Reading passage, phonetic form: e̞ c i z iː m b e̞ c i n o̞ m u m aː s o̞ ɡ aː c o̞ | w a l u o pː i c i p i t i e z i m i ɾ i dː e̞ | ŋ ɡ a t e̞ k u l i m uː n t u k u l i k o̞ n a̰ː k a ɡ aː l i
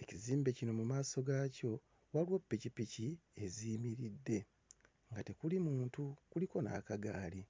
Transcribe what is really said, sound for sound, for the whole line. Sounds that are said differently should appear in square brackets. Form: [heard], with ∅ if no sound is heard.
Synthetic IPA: e̞ c i z iː m b e̞ c i n o̞ m u m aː s o̞ ɡ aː c o̞ | w a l [w] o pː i c i p i [c] i e z i m i ɾ i dː e̞ | ŋ ɡ a t e̞ k u l i m uː n t u k u l i k o̞ n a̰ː k a ɡ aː l i